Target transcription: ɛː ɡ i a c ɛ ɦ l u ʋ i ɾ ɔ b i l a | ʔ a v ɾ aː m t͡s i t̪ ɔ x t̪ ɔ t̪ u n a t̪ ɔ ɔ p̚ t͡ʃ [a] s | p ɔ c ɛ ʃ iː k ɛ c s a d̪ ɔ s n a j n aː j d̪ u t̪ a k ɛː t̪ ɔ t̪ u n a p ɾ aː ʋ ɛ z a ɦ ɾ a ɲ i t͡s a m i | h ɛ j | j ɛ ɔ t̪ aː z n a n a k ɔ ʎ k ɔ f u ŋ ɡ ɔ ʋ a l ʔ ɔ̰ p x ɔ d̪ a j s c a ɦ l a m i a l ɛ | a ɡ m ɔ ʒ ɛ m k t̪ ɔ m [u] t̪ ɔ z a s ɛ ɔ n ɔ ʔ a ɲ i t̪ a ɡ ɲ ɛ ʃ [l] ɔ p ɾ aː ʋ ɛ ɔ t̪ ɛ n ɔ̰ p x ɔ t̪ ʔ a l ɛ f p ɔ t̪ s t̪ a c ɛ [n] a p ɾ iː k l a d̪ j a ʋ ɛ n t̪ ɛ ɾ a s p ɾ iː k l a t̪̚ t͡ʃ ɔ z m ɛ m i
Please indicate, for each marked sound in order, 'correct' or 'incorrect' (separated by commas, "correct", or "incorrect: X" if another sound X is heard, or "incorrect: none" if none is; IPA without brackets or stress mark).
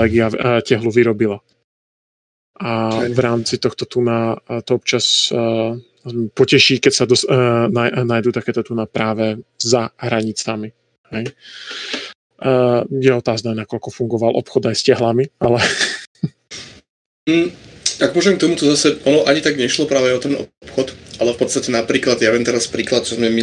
correct, correct, correct, correct